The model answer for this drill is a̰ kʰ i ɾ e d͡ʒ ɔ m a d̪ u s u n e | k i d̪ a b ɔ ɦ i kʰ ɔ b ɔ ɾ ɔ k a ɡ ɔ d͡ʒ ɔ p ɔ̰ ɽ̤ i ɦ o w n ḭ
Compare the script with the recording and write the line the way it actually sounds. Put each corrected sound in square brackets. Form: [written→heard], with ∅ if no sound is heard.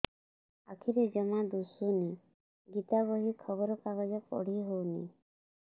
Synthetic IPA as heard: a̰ kʰ i ɾ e d͡ʒ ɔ m a d̪ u s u n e | [k→ɡ] i [d̪→t̪] a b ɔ ɦ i kʰ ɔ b ɔ ɾ ɔ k a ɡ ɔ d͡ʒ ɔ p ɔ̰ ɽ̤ i ɦ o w n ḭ